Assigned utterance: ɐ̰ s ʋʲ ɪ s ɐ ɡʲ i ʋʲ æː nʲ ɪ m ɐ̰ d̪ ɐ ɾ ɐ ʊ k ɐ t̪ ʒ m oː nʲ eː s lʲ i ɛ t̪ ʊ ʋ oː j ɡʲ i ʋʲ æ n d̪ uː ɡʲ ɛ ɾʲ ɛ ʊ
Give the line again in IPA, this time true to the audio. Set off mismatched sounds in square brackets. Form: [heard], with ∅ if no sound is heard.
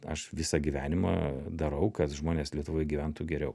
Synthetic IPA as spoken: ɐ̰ [ʃ] ʋʲ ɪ s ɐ ɡʲ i ʋʲ æː nʲ ɪ m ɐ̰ d̪ ɐ ɾ ɐ ʊ k ɐ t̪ ʒ m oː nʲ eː s lʲ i ɛ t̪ ʊ ʋ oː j ɡʲ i ʋʲ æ n [t̪] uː ɡʲ ɛ ɾʲ ɛ ʊ